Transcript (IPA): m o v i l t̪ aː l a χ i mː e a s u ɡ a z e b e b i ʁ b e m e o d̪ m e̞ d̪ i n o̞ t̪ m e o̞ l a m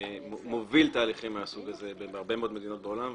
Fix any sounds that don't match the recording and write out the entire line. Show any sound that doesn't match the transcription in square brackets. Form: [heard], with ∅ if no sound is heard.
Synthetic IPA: m o v i l t̪ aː l [i] χ i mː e a s u ɡ a z e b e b [a] ʁ b e m e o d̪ m e̞ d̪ i n o̞ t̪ [b] e o̞ l a m